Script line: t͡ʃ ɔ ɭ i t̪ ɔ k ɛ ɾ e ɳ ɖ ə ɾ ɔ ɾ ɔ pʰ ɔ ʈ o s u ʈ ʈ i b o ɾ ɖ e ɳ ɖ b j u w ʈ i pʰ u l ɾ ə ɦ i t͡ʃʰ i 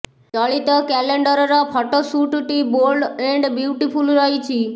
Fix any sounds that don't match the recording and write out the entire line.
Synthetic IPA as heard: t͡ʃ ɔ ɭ i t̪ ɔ k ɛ l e ɳ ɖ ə ɾ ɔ ɾ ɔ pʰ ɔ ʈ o s u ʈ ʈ i b o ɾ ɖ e ɳ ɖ b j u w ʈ i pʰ u l ɾ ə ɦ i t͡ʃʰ i